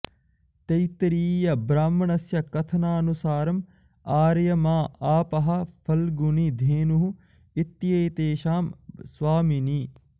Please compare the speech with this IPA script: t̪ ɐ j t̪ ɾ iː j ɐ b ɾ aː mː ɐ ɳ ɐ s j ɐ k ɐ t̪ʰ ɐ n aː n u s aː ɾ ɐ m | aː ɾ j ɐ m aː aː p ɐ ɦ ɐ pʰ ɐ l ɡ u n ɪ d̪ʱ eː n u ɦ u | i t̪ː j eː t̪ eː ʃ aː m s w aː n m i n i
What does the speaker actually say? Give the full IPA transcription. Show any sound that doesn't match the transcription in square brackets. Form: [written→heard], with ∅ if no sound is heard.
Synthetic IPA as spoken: t̪ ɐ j t̪ ɾ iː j ɐ b ɾ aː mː ɐ ɳ ɐ s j ɐ k ɐ t̪ʰ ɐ n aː n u s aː ɾ ɐ m | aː ɾ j ɐ m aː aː p ɐ ɦ ɐ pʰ ɐ l ɡ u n [ɪ→i] d̪ʱ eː n u ɦ u | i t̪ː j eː t̪ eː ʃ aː m s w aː [n→∅] m i n i